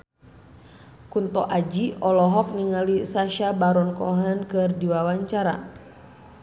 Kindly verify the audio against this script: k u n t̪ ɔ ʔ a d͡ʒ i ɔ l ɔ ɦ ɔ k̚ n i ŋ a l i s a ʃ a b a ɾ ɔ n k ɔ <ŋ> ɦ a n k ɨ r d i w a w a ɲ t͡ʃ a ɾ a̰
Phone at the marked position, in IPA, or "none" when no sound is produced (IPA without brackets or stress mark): none